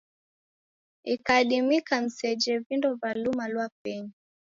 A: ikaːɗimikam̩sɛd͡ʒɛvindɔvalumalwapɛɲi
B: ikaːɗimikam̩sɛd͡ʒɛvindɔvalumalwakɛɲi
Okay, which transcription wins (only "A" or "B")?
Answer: A